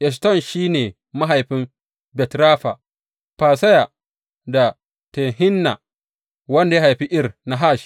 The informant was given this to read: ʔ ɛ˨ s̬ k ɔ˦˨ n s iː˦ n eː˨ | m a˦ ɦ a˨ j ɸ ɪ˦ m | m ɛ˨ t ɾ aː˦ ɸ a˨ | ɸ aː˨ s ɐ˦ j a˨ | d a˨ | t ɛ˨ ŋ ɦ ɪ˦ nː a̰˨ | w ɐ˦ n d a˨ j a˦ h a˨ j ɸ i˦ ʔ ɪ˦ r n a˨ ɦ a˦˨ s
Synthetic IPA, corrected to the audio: ʔ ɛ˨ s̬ t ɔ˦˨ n ʃ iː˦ n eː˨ | m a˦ ɦ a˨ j ɸ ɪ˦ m | b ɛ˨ t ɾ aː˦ ɸ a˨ | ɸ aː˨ s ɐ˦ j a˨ | d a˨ | t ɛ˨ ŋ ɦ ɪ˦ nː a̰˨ | w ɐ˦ n d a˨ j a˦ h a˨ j ɸ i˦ ʔ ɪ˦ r n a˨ ɦ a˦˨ ʃ